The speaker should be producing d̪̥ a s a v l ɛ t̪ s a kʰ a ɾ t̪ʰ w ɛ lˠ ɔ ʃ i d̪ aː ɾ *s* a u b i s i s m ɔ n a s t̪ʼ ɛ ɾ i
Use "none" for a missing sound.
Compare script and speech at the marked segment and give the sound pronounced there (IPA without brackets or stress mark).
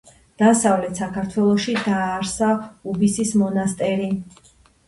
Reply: s